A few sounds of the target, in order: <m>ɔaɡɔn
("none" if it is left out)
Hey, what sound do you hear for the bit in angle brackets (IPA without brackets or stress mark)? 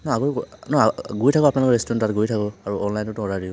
n